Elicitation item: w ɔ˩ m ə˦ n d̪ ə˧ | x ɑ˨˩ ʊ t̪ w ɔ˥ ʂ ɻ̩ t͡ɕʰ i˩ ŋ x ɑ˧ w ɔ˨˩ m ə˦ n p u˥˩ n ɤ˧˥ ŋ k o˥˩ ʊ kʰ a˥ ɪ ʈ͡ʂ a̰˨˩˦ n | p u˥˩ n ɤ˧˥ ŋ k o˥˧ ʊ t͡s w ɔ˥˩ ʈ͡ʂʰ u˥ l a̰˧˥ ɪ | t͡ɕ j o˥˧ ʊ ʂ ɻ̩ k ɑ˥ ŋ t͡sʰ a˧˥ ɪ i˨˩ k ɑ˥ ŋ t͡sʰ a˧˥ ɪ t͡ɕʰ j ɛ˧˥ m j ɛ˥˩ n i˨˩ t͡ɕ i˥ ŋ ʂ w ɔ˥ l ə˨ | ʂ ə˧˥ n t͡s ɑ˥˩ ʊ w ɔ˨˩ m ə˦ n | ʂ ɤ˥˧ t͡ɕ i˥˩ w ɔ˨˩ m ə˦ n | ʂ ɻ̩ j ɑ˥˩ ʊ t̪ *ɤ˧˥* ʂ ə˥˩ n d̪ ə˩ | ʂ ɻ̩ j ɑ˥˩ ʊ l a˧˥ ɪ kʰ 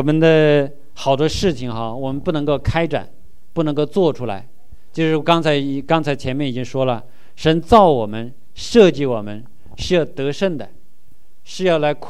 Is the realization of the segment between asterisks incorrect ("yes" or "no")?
no